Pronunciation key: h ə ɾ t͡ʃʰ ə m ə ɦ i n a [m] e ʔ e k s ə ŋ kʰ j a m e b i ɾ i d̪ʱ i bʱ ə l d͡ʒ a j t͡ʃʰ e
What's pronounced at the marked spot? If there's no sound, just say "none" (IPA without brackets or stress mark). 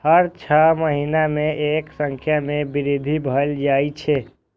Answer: m